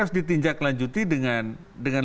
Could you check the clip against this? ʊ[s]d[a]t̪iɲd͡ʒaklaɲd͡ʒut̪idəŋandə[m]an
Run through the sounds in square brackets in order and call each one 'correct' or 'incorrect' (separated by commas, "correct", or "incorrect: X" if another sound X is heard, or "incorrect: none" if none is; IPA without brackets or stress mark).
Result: correct, incorrect: i, incorrect: ŋ